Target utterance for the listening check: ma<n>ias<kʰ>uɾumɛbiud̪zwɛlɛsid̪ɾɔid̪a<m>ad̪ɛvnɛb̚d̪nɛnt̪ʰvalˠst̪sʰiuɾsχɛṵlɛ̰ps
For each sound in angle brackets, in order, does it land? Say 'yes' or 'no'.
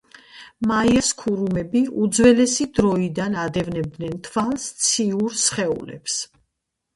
no, yes, no

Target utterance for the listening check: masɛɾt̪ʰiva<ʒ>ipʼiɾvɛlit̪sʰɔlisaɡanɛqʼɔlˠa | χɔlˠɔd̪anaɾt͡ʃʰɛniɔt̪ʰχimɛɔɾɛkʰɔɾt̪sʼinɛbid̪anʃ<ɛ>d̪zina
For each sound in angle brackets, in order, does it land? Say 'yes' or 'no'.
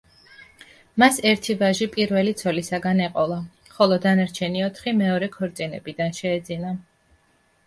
yes, no

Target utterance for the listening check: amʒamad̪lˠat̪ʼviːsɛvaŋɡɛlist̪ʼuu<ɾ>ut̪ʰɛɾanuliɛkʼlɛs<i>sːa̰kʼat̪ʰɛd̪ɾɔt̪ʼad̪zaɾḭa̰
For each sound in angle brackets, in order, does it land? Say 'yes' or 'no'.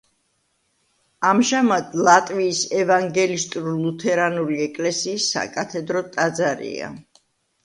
no, no

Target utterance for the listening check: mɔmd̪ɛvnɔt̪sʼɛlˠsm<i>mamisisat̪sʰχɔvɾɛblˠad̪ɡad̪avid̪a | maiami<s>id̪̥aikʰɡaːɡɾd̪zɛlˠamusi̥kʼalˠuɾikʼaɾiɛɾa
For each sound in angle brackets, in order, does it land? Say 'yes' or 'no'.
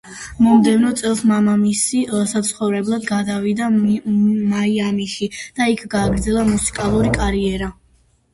no, no

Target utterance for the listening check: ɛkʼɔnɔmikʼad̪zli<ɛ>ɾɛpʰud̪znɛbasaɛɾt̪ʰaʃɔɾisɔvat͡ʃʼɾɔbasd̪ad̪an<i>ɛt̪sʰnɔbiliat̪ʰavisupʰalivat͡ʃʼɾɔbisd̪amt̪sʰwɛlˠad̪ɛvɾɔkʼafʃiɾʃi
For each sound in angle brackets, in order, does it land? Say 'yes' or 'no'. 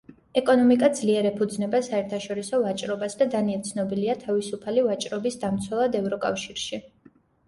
yes, yes

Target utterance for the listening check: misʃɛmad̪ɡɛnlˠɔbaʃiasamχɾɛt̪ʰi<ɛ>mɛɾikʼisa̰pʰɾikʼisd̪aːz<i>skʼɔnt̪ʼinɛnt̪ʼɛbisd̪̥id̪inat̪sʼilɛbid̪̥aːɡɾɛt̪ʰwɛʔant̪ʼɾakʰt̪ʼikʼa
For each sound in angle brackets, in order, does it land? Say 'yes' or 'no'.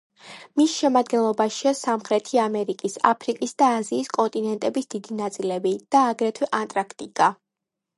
no, no

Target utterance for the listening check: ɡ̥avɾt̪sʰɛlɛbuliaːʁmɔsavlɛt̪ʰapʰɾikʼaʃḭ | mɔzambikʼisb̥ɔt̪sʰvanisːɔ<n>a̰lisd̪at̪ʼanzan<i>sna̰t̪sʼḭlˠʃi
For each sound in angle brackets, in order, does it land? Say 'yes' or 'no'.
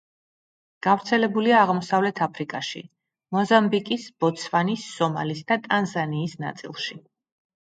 no, no

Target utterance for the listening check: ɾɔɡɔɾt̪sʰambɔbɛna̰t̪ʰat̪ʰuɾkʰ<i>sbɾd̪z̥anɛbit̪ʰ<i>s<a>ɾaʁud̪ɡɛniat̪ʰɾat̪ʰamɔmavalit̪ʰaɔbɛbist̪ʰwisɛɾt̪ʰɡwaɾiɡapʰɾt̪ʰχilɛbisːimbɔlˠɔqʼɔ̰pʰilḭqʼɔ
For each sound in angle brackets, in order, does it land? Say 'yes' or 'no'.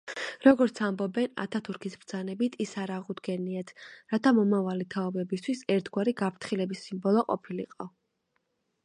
yes, yes, yes

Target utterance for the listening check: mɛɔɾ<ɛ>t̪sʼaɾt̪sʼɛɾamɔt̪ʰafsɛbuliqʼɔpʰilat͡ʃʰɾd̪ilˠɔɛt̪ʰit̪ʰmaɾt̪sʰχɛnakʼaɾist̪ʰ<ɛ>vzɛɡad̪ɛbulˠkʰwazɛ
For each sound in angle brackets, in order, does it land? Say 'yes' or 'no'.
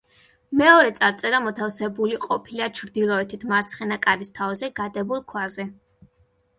yes, no

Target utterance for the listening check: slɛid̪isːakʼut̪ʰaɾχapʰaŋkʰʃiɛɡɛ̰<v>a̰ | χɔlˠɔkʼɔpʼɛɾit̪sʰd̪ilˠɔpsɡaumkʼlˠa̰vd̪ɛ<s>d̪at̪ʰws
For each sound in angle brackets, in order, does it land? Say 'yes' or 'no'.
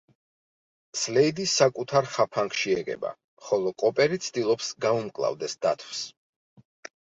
no, yes

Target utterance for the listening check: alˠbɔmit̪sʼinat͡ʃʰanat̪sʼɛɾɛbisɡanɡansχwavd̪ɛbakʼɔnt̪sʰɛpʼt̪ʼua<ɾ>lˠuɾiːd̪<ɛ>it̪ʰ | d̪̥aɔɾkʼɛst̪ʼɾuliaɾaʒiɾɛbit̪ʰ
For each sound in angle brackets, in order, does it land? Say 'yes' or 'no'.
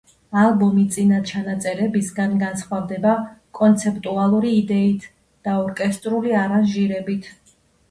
no, yes

